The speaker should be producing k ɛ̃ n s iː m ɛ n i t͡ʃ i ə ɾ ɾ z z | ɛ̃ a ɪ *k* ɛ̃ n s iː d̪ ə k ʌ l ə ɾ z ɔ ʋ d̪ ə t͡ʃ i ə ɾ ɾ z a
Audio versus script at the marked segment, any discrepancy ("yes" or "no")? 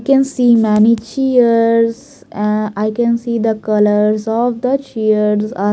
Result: no